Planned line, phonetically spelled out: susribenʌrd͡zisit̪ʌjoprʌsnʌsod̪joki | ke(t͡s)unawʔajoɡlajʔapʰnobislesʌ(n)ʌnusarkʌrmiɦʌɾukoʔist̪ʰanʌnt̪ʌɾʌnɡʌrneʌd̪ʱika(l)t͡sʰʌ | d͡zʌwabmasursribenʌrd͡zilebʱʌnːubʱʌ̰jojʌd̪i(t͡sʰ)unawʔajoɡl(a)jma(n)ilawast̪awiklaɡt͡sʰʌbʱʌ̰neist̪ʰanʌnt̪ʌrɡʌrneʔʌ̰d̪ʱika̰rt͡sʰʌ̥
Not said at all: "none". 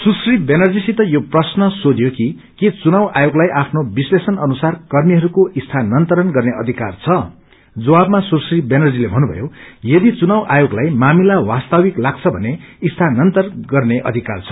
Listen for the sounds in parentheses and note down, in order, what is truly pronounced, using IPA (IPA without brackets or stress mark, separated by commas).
t͡s, n, r, t͡s, a, m